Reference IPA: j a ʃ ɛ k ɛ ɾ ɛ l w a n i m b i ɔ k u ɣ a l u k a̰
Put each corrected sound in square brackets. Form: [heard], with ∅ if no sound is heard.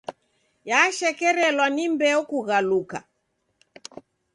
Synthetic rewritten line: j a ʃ ɛ k ɛ ɾ ɛ l w a n i m b [ɛ] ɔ k u ɣ a l u k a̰